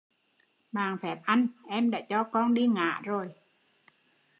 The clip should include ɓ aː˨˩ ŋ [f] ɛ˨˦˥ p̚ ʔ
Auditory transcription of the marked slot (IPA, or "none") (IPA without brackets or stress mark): f